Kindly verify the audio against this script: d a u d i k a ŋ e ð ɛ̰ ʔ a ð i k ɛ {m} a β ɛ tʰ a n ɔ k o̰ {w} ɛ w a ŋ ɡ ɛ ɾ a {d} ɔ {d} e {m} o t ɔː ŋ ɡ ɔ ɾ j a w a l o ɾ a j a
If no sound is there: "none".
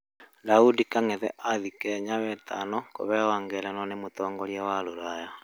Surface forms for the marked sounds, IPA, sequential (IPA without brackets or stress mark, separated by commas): ɲ, β, n, n, m